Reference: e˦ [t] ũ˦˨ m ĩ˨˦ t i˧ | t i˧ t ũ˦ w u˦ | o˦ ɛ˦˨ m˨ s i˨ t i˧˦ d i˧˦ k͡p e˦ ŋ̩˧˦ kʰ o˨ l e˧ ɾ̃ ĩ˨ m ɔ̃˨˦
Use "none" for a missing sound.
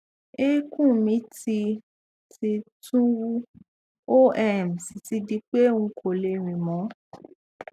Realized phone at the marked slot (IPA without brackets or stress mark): k